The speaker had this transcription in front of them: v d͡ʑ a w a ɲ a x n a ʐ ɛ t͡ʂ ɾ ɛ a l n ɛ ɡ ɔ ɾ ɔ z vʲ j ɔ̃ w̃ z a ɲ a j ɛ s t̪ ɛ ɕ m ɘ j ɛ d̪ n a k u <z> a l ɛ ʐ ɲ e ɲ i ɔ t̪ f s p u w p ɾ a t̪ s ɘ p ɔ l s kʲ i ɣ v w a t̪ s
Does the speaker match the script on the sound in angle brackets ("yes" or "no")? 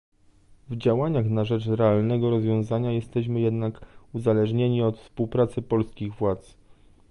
yes